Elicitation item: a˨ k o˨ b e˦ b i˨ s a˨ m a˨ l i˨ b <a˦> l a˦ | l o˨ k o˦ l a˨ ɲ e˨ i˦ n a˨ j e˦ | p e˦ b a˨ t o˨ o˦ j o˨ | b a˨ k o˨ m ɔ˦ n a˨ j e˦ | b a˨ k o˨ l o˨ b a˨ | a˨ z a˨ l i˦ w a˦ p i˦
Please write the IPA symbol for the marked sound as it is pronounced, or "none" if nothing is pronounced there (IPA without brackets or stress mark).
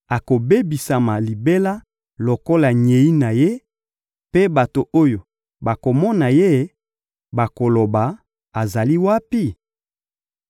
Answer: e˦